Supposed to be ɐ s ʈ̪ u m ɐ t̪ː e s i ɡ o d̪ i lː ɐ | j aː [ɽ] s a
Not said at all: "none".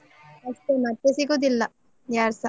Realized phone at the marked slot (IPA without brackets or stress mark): ɾ